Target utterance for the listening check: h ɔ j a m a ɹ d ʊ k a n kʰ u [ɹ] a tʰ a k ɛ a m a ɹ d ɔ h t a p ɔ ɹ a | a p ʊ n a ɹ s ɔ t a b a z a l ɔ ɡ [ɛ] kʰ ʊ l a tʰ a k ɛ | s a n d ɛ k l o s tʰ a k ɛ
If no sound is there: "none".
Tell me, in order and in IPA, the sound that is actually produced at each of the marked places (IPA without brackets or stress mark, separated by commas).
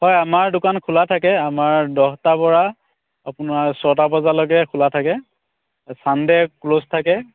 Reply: l, ɛ